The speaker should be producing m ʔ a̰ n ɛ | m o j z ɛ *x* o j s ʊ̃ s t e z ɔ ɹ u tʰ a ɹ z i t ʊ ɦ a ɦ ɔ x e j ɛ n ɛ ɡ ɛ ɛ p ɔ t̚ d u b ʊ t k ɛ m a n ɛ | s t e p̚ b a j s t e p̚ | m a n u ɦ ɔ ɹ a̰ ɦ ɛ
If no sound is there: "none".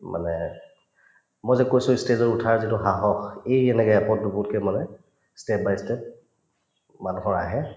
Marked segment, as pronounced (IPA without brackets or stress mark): k